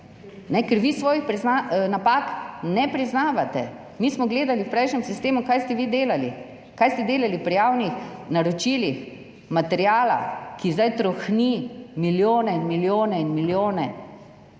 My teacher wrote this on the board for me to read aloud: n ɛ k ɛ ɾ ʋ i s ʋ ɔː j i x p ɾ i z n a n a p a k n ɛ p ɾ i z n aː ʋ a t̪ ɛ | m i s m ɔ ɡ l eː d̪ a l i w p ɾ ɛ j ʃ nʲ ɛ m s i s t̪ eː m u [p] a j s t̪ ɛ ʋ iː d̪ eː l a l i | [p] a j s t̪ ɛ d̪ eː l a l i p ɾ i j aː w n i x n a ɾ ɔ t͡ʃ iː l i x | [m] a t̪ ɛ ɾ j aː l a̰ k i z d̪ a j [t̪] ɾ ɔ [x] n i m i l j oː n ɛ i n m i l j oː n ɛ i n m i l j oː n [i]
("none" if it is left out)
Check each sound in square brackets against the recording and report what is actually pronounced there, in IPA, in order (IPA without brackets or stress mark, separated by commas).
k, k, m, t̪, x, ɛ